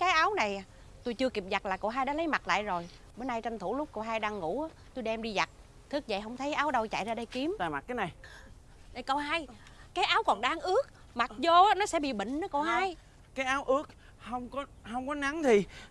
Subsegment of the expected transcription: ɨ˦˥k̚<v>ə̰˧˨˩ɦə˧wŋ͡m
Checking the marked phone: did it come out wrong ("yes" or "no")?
yes